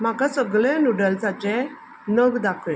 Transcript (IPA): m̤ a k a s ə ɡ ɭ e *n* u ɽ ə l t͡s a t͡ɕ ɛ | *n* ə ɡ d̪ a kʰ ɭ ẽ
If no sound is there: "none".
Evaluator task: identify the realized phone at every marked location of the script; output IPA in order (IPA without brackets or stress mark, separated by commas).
n, n